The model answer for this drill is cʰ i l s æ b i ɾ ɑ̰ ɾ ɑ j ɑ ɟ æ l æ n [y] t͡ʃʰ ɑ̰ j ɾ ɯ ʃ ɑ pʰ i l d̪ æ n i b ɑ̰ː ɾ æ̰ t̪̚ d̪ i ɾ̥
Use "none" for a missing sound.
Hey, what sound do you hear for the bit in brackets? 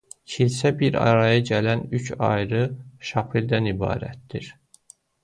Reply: y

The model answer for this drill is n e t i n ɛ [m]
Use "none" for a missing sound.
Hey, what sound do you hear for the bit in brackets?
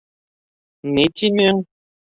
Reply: ŋ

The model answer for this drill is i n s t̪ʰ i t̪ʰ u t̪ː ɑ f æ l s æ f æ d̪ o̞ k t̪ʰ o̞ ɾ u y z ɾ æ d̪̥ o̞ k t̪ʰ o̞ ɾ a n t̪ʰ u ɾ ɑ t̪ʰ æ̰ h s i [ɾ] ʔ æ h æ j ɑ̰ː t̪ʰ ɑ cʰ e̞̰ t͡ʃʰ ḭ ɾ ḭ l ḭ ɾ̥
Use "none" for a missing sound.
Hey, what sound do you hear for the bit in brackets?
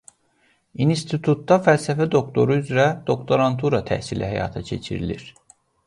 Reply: l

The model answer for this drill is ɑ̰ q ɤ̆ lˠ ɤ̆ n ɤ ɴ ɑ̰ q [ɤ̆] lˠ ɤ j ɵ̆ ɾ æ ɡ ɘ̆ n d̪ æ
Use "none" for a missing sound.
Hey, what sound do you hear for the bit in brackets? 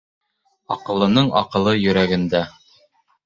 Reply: ɤ̆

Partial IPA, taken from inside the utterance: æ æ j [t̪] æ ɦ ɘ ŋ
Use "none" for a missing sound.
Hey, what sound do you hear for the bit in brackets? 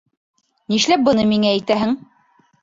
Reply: t̪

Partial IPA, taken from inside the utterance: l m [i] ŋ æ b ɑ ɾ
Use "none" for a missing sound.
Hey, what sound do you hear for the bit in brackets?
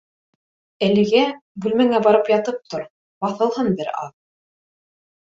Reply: æ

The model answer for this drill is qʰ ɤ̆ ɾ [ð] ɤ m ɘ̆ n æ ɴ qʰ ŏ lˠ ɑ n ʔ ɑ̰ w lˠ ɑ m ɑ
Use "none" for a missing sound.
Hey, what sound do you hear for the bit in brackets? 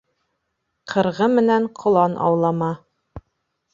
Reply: ʁ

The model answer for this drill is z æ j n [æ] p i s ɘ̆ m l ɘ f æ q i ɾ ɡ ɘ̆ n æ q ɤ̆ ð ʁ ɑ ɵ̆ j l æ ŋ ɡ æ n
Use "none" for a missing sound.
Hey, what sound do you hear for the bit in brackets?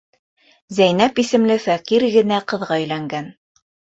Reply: æ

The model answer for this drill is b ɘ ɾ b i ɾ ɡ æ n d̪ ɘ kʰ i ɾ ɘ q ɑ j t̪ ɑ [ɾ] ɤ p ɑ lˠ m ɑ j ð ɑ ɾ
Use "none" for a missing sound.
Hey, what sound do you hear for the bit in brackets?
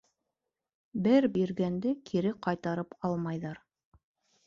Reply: ɾ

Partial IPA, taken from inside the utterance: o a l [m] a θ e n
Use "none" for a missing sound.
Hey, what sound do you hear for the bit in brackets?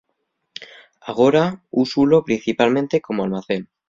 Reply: m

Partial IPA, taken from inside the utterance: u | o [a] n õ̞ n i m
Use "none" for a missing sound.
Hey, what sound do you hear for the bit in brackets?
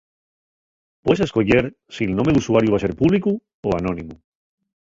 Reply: a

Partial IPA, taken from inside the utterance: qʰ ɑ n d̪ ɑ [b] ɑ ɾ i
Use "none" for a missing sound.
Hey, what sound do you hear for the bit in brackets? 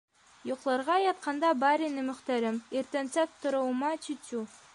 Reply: b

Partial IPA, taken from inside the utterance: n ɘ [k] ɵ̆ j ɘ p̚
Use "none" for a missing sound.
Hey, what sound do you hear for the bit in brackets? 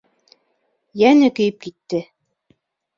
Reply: k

